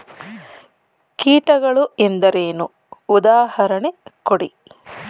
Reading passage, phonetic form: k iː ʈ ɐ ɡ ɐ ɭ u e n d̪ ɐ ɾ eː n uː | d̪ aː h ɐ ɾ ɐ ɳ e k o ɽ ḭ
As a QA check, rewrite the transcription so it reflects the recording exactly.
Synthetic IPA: k iː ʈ ɐ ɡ ɐ ɭ u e n d̪ ɐ ɾ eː n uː | d̪ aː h ɐ ɾ ɐ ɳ e k o ɽ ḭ